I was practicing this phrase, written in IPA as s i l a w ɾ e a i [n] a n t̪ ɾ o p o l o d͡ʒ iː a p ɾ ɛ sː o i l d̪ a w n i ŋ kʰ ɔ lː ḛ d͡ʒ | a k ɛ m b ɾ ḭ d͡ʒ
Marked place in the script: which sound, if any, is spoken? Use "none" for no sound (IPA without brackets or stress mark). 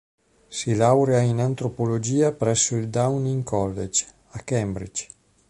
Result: n